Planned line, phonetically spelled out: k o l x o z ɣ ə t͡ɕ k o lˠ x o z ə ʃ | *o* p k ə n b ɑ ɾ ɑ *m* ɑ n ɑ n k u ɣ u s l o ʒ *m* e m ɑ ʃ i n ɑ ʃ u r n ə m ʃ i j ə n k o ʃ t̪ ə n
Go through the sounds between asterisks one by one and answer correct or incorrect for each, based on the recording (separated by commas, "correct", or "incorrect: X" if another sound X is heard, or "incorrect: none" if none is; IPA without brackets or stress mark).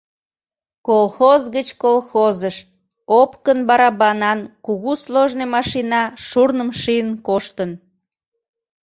correct, incorrect: b, incorrect: n